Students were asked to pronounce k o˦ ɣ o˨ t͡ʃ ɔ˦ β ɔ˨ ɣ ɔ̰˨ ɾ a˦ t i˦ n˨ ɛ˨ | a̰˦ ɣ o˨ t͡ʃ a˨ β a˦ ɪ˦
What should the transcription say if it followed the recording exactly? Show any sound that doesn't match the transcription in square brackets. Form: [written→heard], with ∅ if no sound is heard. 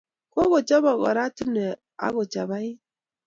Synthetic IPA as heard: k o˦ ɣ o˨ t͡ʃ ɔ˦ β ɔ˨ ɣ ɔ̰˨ ɾ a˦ t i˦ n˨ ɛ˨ | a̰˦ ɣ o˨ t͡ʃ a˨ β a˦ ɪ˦